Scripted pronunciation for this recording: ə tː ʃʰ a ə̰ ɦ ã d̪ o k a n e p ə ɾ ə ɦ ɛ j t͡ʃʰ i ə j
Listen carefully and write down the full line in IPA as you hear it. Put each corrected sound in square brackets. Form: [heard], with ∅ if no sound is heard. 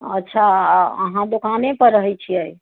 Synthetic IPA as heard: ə tː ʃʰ a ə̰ ɦ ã d̪ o k a n e p ə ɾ ə ɦ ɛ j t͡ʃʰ i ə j

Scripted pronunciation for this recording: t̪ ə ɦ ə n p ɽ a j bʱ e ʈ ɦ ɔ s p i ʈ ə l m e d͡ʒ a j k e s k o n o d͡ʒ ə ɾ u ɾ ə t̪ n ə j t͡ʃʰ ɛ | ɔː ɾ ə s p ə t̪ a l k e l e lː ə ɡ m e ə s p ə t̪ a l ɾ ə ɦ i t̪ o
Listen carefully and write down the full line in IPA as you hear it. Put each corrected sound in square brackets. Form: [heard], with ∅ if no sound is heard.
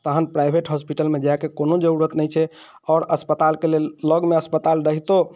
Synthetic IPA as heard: t̪ ə ɦ ə n p [ɾ] a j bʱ e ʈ ɦ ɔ s p i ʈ ə l m e d͡ʒ a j k e [∅] k o n o d͡ʒ ə ɾ u ɾ ə t̪ n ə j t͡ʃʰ ɛ | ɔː ɾ ə s p ə t̪ a l k e l e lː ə ɡ m e ə s p ə t̪ a l ɾ ə ɦ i t̪ o

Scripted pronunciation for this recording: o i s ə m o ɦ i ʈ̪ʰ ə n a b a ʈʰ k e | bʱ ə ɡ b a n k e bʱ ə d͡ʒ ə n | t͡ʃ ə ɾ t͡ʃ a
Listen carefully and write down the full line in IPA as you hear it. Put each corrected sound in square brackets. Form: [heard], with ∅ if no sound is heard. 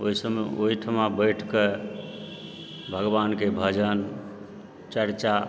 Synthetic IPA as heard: o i s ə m o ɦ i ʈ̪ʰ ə [m] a b [ə] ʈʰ k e | bʱ ə ɡ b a n k e bʱ ə d͡ʒ ə n | t͡ʃ ə ɾ t͡ʃ a

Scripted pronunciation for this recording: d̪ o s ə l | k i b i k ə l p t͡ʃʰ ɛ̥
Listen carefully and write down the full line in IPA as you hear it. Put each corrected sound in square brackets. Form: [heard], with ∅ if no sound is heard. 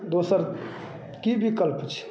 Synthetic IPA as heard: d̪ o s ə [ɾ] | k i b i k ə l p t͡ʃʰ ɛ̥

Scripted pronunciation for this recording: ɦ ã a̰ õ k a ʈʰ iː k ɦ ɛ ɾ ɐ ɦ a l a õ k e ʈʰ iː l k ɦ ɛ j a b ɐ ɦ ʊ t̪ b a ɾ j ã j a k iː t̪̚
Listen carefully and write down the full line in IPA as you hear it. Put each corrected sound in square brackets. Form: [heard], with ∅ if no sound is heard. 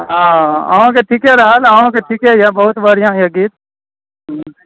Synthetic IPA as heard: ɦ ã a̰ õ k [e] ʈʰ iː k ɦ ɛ ɾ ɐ ɦ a l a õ k e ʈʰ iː [∅] k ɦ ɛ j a b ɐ ɦ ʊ t̪ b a ɾ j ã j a [ɡ] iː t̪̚

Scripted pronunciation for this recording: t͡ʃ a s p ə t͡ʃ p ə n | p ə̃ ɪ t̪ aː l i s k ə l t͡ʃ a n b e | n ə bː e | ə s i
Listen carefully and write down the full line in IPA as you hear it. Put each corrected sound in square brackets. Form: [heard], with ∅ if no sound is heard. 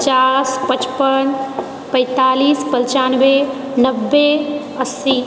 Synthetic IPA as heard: t͡ʃ a s p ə t͡ʃ p ə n | p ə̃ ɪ t̪ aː l i s [p] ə l t͡ʃ a n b e | n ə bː e | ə s i

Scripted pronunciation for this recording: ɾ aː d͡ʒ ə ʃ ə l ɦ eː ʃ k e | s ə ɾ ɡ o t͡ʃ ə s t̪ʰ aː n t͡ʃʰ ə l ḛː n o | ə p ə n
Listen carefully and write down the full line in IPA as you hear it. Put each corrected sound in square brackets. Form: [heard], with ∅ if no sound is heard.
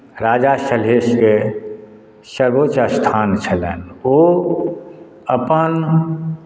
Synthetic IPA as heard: ɾ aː d͡ʒ [a] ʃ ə l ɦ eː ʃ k e | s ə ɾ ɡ o t͡ʃ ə s t̪ʰ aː n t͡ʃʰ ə l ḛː n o | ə p ə n

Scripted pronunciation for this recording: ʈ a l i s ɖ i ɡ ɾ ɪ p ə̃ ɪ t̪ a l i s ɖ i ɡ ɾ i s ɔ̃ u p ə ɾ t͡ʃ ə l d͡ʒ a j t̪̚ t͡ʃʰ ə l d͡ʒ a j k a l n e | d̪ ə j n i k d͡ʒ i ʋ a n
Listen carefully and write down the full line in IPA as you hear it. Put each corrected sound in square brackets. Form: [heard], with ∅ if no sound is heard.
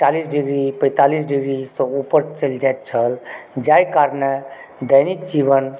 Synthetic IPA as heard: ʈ a l i s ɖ i ɡ ɾ [i] p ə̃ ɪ t̪ a l i s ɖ i ɡ ɾ i s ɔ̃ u p ə ɾ t͡ʃ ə l d͡ʒ a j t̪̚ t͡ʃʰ ə l d͡ʒ a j k a [ɾ] n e | d̪ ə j n i k d͡ʒ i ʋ [ə] n

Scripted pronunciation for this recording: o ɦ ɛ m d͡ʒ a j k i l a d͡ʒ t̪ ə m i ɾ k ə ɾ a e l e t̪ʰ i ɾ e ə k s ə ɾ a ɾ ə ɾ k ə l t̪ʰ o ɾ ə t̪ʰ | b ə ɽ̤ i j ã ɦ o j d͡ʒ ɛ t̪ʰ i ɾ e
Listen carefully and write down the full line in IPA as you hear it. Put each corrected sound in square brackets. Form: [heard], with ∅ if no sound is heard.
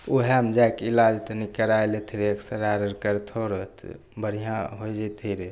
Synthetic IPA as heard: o ɦ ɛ m d͡ʒ a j k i l a d͡ʒ t̪ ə [n] i [∅] k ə ɾ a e l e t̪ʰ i ɾ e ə k s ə ɾ a ɾ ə ɾ k ə [ɾ] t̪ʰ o ɾ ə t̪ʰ | b ə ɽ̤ i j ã ɦ o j d͡ʒ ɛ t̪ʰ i ɾ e

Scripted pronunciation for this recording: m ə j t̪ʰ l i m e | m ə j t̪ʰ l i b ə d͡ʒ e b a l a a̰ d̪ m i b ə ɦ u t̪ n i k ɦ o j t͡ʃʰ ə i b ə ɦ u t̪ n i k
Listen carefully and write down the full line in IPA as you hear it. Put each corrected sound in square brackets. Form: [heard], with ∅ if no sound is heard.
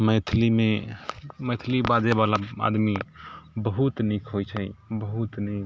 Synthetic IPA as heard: m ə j t̪ʰ l i m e | m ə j t̪ʰ l i b [a] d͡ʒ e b a l a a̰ d̪ m i b ə ɦ u t̪ n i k ɦ o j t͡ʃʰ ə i b ə ɦ u t̪ n i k

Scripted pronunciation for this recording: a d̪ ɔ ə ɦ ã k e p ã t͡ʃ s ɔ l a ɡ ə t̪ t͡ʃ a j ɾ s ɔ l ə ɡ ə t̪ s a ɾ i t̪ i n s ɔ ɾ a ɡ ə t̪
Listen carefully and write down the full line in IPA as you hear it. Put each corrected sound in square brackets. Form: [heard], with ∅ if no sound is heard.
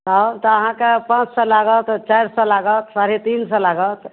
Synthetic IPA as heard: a [t̪] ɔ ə ɦ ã k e p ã t͡ʃ s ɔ l a ɡ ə t̪ t͡ʃ a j ɾ s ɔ l [a] ɡ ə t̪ s a ɾ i t̪ i n s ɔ [l] a ɡ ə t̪

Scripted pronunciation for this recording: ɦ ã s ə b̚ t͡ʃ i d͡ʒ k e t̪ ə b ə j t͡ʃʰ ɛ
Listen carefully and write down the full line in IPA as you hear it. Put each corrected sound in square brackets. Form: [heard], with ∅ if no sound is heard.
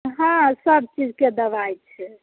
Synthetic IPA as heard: ɦ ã s ə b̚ t͡ʃ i d͡ʒ k e [d̪] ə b [a] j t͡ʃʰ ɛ

